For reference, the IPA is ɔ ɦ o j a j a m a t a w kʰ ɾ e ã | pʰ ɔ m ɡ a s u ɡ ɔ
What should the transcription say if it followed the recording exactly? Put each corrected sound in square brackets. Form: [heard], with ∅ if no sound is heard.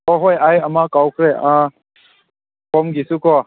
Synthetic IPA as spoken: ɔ ɦ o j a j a m a [k] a w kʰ ɾ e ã | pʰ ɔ m ɡ [i] s u [k] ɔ